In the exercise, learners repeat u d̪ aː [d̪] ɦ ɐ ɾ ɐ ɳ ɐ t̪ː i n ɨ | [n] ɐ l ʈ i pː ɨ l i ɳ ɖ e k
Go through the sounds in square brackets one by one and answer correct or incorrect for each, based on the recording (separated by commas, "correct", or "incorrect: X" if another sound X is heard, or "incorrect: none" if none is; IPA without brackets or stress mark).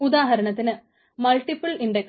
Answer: incorrect: none, incorrect: m